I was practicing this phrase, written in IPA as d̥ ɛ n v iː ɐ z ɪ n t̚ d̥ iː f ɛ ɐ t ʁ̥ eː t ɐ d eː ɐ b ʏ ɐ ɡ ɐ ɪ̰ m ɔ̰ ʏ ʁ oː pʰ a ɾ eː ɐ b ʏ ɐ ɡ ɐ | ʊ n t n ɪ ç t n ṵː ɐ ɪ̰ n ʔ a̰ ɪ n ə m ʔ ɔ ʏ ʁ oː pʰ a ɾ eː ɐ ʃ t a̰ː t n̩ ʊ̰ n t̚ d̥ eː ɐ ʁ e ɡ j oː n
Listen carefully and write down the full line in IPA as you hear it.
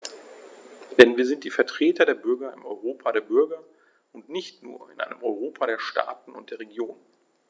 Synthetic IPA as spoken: d̥ ɛ n v iː ɐ z ɪ n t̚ d̥ iː f ɛ ɐ t ʁ̥ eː t ɐ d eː ɐ b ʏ ɐ ɡ ɐ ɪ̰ m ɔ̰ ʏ ʁ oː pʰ a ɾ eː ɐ b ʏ ɐ ɡ ɐ | ʊ n t n ɪ ç t n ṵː ɐ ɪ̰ n ʔ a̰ ɪ n ə m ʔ ɔ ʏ ʁ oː pʰ a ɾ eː ɐ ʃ t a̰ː t n̩ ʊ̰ n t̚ d̥ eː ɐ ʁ e ɡ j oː n